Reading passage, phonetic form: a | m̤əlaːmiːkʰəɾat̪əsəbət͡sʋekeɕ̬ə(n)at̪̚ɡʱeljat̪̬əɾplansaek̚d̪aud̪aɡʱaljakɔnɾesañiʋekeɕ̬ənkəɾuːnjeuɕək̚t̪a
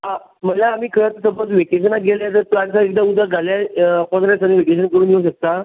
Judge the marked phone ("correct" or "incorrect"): correct